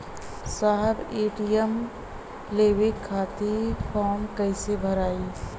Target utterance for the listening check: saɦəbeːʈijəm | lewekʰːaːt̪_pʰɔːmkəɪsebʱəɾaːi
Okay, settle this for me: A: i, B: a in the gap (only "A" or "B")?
A